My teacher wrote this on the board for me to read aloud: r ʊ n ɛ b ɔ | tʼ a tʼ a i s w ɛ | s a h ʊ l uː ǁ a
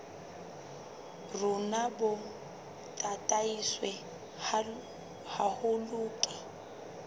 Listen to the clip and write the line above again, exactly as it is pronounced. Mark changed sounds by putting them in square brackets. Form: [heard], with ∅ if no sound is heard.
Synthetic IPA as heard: r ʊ n [a] b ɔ | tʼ a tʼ a i s w ɛ | [h] a h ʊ l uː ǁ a